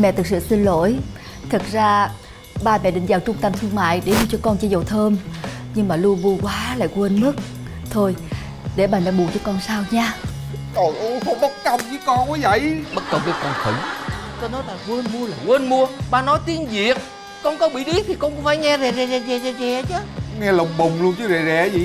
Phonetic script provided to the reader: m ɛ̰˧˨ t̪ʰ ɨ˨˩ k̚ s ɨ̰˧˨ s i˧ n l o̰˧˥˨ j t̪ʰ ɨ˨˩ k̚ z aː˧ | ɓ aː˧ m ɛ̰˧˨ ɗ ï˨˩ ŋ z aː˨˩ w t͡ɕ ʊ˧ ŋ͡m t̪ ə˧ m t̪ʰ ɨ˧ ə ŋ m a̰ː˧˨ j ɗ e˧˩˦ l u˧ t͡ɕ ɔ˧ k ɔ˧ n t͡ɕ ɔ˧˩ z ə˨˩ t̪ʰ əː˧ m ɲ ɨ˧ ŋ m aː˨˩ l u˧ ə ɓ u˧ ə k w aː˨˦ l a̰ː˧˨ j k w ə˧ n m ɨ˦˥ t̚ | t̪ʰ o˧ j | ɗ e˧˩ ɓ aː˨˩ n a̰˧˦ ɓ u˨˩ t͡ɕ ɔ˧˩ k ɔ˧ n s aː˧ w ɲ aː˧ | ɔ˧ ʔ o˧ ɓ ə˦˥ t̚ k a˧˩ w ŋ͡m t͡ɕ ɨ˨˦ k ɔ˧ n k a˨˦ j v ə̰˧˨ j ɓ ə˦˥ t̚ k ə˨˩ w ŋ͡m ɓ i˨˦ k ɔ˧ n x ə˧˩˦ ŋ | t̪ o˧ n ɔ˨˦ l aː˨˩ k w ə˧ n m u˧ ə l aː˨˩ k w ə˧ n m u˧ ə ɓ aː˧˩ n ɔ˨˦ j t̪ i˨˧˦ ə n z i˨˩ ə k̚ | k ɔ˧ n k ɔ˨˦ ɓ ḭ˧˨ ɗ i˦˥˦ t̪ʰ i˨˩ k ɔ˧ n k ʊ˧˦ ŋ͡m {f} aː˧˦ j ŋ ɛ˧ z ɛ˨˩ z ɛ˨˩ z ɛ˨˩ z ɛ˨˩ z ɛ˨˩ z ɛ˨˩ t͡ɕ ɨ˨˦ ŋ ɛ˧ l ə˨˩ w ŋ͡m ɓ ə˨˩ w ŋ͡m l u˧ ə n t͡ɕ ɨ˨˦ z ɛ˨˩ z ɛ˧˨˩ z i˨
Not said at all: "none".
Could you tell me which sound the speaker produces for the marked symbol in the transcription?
f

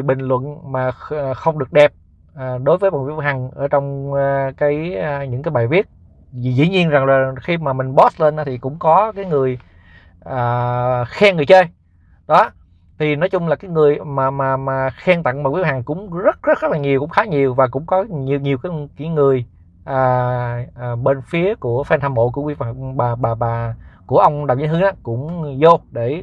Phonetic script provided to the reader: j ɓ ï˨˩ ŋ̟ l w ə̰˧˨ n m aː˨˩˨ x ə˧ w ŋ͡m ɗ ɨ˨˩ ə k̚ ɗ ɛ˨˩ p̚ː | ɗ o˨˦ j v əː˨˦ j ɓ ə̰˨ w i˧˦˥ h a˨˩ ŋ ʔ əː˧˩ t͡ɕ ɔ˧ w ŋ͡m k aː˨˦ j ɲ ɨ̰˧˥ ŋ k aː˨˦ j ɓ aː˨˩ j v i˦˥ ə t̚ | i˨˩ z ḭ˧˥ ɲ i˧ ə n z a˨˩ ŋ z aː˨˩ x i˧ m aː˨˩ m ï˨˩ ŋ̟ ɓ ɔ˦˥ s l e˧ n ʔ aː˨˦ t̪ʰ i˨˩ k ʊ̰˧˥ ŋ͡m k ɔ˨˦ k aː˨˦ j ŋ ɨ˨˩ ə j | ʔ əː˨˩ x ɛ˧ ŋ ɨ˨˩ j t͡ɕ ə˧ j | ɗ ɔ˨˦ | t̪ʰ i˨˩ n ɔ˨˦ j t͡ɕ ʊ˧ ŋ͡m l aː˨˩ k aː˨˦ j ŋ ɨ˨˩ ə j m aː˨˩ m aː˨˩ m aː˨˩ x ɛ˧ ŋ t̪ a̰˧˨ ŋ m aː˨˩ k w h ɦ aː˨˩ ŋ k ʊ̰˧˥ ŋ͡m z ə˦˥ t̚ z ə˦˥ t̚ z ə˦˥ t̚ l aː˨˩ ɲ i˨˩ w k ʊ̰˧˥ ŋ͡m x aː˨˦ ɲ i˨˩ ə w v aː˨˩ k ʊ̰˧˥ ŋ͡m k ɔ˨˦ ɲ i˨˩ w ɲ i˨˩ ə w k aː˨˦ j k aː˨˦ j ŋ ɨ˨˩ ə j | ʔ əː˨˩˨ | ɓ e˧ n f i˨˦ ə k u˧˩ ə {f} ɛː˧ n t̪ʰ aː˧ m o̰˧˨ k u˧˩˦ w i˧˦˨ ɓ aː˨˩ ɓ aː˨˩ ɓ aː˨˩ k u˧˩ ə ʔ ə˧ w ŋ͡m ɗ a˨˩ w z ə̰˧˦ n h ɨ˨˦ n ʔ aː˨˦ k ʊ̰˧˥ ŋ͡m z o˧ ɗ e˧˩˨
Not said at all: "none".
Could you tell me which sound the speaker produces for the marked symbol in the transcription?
f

